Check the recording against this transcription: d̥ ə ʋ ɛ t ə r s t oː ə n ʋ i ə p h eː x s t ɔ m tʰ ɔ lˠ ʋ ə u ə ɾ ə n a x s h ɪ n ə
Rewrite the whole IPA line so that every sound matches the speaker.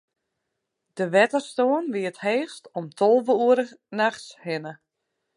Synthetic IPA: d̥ ə ʋ ɛ t ə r s t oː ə n ʋ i ə t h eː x s t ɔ m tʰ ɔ lˠ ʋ ə u ə ɾ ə n a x s h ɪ n ə